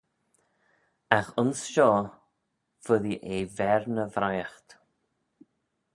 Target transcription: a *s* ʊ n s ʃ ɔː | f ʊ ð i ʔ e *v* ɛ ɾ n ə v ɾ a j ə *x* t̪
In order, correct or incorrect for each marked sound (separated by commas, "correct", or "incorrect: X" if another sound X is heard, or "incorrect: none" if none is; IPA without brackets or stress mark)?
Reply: incorrect: x, correct, correct